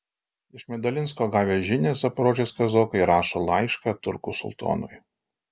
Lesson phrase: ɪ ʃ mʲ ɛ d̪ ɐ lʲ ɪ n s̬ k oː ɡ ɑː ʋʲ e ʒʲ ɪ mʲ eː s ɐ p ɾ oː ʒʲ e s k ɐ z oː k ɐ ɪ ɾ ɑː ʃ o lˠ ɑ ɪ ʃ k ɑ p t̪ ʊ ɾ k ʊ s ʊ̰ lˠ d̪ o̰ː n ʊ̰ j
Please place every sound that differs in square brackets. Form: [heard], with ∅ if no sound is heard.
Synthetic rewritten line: ɪ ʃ mʲ ɛ d̪ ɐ lʲ ɪ n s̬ k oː ɡ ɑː ʋʲ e ʒʲ ɪ [nʲ] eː s ɐ p ɾ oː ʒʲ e s k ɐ z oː k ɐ ɪ ɾ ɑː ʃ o lˠ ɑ ɪ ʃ k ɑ [∅] t̪ ʊ ɾ k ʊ s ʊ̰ lˠ [t̪] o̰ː n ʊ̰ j

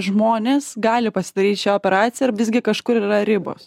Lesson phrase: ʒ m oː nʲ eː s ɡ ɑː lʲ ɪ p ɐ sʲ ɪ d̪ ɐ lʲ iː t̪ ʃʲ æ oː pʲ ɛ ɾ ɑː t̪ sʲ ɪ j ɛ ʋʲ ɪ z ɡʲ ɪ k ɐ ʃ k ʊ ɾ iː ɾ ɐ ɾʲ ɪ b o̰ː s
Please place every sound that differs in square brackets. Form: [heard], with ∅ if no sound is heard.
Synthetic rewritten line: ʒ m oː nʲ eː s ɡ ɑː lʲ ɪ p ɐ sʲ ɪ d̪ ɐ [ɾʲ] iː t̪ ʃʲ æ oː pʲ ɛ ɾ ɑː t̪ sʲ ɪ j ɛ ʋʲ ɪ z ɡʲ ɪ k ɐ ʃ k ʊ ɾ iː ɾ ɐ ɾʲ ɪ b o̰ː s

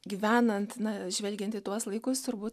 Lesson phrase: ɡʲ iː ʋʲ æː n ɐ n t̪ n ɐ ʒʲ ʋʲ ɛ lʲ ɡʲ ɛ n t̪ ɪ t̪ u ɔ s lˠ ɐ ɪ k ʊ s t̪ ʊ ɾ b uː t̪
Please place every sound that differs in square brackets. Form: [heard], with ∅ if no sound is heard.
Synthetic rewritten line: ɡʲ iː ʋʲ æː n ɐ n t̪ n ɐ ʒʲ ʋʲ ɛ lʲ ɡʲ ɛ n t̪ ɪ t̪ u ɔ s lˠ ɐ ɪ k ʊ s t̪ ʊ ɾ b uː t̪

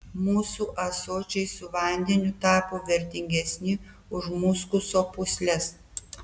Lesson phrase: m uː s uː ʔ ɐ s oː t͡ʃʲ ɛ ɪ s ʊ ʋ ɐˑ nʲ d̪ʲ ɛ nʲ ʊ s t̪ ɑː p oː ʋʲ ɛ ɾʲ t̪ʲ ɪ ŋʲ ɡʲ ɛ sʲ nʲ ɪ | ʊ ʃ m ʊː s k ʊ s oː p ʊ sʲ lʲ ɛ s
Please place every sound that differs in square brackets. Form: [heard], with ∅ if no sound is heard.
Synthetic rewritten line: m uː s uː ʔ ɐ s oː t͡ʃʲ ɛ ɪ s ʊ ʋ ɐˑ nʲ d̪ʲ ɛ nʲ ʊ [∅] t̪ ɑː p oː ʋʲ ɛ ɾʲ t̪ʲ ɪ ŋʲ ɡʲ ɛ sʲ nʲ ɪ | ʊ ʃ m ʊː s k ʊ s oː p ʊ sʲ lʲ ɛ s

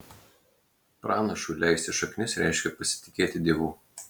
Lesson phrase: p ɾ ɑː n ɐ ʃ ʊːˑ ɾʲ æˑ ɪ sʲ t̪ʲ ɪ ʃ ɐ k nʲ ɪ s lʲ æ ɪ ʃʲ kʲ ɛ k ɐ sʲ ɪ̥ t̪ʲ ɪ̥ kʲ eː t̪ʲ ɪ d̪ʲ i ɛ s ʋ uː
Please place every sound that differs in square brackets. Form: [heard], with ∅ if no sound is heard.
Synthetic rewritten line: p ɾ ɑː n ɐ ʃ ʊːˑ [lʲ] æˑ ɪ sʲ t̪ʲ ɪ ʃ ɐ k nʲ ɪ s [ɾʲ] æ ɪ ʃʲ kʲ ɛ [p] ɐ sʲ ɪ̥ t̪ʲ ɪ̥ kʲ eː t̪ʲ ɪ d̪ʲ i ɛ [∅] ʋ uː

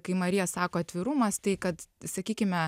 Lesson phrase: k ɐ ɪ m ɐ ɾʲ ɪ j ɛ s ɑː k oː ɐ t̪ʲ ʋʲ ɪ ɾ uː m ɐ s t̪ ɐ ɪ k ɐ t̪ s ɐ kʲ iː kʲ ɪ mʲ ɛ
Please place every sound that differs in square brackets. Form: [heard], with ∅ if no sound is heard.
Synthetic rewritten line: k ɐ ɪ m ɐ ɾʲ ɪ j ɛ s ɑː k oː ɐ t̪ʲ ʋʲ ɪ ɾ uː m ɐ s t̪ ɐ ɪ k ɐ t̪ s ɐ kʲ iː kʲ ɪ mʲ ɛ

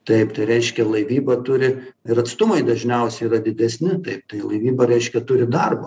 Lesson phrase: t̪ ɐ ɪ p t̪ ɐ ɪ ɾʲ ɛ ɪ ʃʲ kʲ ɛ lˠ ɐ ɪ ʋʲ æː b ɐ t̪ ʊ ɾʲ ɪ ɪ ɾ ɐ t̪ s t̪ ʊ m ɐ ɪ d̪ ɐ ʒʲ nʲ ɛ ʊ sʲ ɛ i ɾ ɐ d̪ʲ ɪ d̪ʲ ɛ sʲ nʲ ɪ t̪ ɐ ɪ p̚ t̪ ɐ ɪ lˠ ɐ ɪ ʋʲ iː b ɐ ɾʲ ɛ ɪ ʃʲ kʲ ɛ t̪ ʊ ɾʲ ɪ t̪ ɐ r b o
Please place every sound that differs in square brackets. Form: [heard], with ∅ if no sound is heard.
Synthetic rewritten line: t̪ ɐ ɪ p t̪ ɐ ɪ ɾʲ ɛ ɪ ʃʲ kʲ ɛ lˠ ɐ ɪ ʋʲ [iː] b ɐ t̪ ʊ ɾʲ ɪ ɪ ɾ ɐ t̪ s t̪ ʊ m ɐ ɪ d̪ ɐ ʒʲ nʲ ɛ ʊ sʲ ɛ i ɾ ɐ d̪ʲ ɪ d̪ʲ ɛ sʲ nʲ ɪ t̪ ɐ ɪ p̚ t̪ ɐ ɪ lˠ ɐ ɪ ʋʲ iː b ɐ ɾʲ ɛ ɪ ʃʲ kʲ ɛ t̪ ʊ ɾʲ ɪ [d̪] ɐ r b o

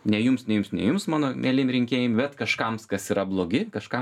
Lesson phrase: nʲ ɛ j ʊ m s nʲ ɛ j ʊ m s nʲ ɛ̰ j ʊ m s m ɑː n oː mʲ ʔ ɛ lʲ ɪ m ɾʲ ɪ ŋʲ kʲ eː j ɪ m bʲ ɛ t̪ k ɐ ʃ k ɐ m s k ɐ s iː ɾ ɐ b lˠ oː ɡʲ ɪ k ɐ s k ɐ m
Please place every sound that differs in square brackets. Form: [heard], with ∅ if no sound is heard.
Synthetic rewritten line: nʲ ɛ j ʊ m s nʲ ɛ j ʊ m s nʲ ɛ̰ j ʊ m s m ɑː n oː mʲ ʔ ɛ lʲ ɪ m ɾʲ ɪ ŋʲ kʲ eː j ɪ m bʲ ɛ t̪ k ɐ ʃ k ɐ m s k ɐ s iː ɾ ɐ b lˠ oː ɡʲ ɪ k ɐ [ʃ] k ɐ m

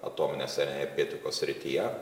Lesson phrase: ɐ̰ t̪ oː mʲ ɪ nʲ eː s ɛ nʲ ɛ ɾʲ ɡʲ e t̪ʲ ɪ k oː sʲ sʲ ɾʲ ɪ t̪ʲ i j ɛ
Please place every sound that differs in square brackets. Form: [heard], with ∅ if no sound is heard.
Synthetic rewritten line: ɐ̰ t̪ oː mʲ ɪ nʲ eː s ɛ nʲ ɛ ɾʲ ɡʲ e t̪ʲ ɪ k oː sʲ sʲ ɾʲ ɪ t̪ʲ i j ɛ

